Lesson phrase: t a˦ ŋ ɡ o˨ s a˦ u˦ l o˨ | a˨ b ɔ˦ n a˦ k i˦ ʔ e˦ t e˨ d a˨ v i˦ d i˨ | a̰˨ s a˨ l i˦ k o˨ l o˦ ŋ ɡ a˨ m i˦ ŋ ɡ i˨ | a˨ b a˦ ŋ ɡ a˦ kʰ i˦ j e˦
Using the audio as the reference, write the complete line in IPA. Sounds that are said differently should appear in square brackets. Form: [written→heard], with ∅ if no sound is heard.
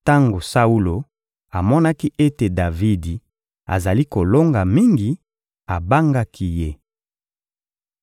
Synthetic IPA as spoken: t a˦ ŋ ɡ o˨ s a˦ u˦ l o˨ | a˨ [b→m] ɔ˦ n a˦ k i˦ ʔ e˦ t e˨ d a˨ v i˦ d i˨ | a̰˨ [s→z] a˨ l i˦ k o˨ l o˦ ŋ ɡ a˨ m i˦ ŋ ɡ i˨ | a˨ b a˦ ŋ ɡ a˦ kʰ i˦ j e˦

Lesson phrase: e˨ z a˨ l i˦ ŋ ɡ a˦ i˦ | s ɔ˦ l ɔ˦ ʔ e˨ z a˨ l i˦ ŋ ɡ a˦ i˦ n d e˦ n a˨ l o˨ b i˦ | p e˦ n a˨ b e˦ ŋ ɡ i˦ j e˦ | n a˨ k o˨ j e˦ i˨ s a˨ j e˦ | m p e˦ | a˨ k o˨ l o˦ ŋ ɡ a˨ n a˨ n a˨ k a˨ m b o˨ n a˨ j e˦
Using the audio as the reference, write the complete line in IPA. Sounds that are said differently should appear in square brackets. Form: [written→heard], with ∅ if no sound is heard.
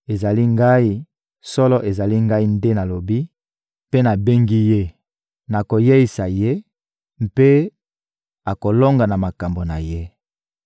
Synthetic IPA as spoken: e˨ z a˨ l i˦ ŋ ɡ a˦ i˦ | s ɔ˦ l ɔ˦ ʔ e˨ z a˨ l i˦ ŋ ɡ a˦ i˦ n d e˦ n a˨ l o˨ b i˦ | p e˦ n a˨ b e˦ ŋ ɡ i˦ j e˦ | n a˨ k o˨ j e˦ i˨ s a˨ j e˦ | m p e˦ | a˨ k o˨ l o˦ ŋ ɡ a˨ n a˨ [n→m] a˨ k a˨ m b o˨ n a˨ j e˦

